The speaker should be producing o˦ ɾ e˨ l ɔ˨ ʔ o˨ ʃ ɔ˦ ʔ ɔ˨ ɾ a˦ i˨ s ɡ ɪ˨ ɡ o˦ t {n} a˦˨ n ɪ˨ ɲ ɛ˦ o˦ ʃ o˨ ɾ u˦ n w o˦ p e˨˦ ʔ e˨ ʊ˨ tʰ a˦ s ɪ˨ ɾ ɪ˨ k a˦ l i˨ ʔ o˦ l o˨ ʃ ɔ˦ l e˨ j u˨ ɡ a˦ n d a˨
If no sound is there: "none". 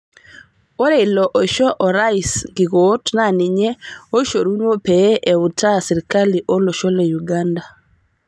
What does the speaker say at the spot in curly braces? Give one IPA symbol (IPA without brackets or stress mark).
n